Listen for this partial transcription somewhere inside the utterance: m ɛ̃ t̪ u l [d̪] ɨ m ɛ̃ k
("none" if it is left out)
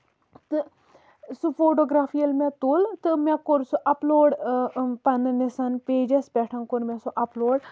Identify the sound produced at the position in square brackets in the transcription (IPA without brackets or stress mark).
t̪